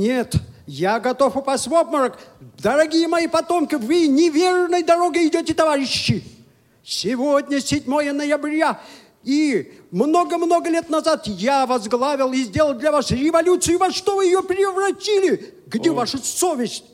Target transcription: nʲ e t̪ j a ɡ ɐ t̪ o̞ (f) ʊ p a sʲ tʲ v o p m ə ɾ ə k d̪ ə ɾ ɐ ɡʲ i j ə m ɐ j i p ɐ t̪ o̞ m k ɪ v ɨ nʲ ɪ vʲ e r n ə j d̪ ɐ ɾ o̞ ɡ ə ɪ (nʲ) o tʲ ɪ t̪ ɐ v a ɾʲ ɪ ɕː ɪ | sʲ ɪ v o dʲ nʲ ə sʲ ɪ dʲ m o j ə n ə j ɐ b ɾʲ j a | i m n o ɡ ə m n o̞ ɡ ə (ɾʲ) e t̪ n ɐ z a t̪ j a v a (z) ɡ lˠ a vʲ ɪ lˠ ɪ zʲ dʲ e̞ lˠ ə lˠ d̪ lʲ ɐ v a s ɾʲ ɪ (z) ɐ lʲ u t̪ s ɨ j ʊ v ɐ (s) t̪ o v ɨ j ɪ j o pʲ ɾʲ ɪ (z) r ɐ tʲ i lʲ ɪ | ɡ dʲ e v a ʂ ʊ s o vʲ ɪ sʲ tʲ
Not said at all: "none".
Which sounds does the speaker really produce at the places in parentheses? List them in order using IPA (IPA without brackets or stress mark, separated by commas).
f, dʲ, lʲ, z, v, ʂ, v